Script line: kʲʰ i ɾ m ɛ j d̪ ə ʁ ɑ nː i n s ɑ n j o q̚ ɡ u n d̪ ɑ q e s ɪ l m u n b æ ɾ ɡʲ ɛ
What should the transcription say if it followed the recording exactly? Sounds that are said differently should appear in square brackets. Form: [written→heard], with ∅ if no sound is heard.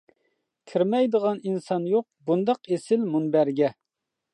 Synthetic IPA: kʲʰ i ɾ m ɛ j d̪ ə ʁ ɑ [nː→n] i n s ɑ n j o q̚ [ɡ→b] u n d̪ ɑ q e s ɪ l m u n b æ ɾ ɡʲ ɛ